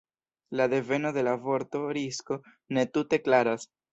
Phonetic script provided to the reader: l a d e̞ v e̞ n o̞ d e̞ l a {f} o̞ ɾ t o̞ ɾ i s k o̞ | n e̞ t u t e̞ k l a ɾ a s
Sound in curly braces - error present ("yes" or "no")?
yes